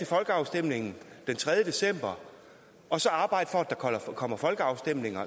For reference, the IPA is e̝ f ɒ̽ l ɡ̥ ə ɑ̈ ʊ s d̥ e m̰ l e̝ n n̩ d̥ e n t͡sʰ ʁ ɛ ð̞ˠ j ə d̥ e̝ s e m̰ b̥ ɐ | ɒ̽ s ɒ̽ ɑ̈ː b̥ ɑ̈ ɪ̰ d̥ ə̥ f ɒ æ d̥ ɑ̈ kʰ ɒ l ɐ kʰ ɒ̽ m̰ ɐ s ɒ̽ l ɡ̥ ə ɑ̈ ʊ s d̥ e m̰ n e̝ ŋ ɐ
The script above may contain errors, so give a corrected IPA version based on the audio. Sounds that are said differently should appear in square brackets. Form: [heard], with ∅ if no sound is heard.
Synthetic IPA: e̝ f ɒ̽ l ɡ̥ ə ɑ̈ ʊ s d̥ e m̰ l e̝ [ŋ] n̩ d̥ e n t͡sʰ ʁ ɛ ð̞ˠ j ə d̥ e̝ s e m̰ b̥ ɐ | ɒ̽ s ɒ̽ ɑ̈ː b̥ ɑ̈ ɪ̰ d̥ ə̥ f ɒ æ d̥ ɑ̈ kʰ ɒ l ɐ kʰ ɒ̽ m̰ ɐ [f] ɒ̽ l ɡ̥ ə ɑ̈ ʊ s d̥ e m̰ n e̝ ŋ ɐ